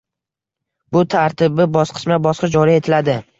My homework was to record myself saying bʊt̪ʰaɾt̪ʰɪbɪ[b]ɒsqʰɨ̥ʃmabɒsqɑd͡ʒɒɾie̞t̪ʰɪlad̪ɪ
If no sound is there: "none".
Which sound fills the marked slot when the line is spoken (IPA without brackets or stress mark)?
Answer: b